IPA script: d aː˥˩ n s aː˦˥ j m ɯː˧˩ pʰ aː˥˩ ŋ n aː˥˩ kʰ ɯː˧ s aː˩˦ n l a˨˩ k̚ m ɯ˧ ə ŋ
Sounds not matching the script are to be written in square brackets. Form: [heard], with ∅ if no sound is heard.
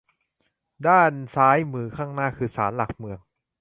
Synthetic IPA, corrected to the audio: d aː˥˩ n s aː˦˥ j m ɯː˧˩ [kʰ] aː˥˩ ŋ n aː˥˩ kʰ ɯː˧ s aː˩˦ n l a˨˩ k̚ m ɯ˧ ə ŋ